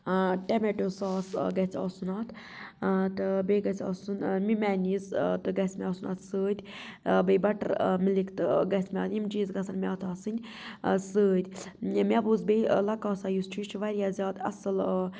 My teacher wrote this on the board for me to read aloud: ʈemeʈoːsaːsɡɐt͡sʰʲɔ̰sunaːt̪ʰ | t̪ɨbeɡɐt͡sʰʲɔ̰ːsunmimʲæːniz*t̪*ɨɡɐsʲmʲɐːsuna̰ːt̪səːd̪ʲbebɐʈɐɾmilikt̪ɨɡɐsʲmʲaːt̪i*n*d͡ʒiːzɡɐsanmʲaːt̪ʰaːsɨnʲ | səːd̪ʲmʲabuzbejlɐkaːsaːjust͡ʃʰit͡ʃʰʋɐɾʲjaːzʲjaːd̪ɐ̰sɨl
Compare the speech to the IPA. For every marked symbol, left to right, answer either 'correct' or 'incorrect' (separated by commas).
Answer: correct, incorrect